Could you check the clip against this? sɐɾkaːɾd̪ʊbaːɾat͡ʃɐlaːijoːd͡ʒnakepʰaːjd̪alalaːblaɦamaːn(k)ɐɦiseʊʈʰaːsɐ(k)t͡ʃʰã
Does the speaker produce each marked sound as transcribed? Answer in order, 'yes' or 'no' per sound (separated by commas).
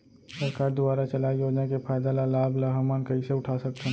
yes, yes